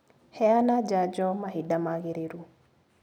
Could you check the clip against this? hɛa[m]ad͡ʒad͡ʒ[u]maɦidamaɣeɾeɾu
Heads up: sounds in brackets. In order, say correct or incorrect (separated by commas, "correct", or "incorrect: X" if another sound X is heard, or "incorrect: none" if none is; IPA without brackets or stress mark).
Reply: incorrect: n, incorrect: ɔ